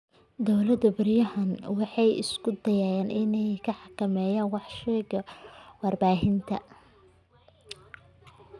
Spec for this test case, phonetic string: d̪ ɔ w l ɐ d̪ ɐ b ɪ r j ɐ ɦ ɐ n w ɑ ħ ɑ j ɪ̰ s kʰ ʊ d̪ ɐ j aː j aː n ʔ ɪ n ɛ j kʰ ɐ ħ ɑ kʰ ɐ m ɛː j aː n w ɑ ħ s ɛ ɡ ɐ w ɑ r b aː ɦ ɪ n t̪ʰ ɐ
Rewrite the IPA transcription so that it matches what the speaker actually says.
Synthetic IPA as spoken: d̪ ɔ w l ɐ d̪ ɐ b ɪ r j ɐ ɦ ɐ n w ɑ ħ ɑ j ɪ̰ s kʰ ʊ d̪ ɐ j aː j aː n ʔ ɪ n ɛ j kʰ ɐ ħ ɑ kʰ ɐ m ɛː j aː n w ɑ ħ ʃ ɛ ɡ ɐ w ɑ r b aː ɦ ɪ n t̪ʰ ɐ